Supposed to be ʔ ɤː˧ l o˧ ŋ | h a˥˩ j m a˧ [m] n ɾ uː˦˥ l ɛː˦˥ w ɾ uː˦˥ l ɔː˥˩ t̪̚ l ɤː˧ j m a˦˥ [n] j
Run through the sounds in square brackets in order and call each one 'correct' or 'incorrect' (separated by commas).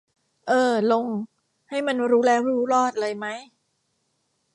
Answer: incorrect, incorrect